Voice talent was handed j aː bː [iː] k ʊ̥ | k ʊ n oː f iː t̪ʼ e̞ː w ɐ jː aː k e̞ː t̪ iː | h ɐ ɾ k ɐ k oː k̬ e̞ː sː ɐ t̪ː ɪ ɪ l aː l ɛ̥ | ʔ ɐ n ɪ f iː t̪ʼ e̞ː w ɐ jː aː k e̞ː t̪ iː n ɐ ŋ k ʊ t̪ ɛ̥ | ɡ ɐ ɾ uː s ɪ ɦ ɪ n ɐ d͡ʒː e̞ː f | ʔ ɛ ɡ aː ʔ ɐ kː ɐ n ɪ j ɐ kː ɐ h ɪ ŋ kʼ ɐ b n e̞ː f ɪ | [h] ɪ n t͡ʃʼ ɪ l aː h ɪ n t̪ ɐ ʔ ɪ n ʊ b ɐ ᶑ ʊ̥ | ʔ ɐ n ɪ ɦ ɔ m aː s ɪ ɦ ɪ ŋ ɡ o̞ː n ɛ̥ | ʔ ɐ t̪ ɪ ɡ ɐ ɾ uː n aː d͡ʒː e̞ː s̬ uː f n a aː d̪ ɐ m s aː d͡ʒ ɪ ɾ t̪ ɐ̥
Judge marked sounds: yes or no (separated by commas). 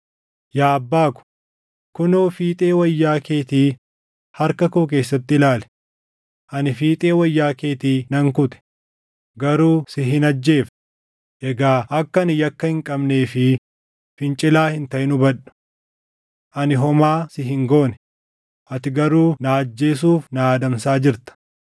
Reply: no, no